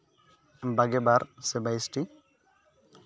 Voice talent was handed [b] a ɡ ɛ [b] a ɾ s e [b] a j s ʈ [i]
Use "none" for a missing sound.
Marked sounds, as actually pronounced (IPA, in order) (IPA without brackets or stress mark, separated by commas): b, b, b, i